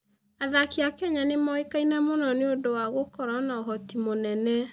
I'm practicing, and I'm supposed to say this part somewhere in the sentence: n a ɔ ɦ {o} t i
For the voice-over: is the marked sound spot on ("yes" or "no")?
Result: no